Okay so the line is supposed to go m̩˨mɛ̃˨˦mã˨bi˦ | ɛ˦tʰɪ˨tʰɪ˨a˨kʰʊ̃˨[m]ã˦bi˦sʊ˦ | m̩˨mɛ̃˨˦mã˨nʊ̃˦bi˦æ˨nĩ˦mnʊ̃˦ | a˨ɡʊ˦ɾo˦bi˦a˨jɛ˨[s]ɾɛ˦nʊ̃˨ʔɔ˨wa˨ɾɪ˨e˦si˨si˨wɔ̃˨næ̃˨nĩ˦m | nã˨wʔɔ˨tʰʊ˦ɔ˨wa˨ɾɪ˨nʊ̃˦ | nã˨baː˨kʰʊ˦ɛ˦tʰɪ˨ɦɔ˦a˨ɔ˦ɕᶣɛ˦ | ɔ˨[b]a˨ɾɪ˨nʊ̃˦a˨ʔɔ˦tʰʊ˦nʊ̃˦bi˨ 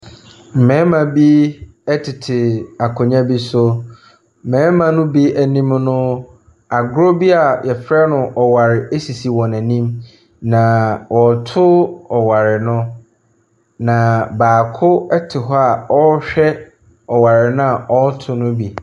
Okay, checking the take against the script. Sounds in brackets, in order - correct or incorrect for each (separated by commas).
incorrect, incorrect, incorrect